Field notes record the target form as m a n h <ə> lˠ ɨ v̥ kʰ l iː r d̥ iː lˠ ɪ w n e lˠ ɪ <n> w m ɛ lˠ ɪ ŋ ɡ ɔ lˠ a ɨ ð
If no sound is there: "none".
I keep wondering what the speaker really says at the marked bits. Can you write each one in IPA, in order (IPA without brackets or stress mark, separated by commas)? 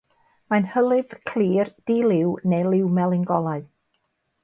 ə, none